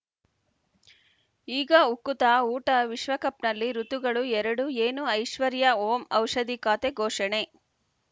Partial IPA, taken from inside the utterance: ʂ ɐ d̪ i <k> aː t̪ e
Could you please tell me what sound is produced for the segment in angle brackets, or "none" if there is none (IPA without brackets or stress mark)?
k